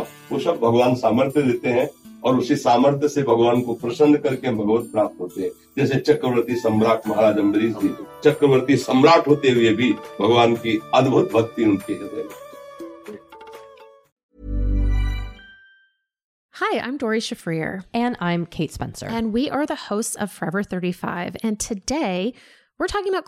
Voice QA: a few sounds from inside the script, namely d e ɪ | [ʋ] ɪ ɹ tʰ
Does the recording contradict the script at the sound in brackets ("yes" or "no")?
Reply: yes